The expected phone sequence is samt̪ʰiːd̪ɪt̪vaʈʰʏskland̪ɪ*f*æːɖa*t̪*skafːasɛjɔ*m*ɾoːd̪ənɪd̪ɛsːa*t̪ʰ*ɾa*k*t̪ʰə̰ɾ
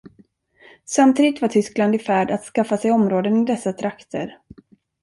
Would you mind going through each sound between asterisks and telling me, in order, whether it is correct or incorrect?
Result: correct, correct, correct, correct, correct

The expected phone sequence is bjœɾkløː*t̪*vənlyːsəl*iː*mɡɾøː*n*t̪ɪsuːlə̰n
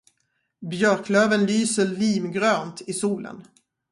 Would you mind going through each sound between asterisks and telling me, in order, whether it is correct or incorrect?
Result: incorrect, correct, correct

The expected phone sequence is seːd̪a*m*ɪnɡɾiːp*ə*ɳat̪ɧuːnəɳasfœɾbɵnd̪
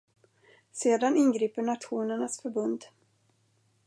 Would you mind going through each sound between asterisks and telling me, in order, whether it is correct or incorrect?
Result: incorrect, correct

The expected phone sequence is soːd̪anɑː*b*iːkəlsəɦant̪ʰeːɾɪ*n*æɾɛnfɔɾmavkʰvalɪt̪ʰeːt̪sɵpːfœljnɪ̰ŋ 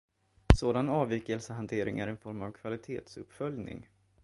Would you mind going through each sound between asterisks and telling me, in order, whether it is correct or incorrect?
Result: incorrect, incorrect

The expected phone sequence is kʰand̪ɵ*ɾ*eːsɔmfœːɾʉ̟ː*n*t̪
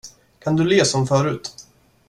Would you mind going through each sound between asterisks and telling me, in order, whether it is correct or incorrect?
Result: incorrect, incorrect

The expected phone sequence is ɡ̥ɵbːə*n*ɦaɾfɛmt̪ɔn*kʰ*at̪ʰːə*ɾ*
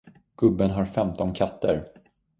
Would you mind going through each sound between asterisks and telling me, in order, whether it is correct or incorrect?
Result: correct, correct, correct

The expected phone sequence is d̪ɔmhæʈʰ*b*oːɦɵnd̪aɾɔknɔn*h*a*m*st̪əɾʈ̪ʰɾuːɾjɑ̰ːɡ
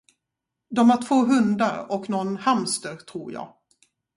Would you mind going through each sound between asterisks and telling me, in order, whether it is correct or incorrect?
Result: incorrect, correct, correct

